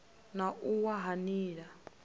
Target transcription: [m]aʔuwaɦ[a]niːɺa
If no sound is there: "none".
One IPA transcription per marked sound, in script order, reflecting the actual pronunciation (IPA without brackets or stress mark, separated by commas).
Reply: n, a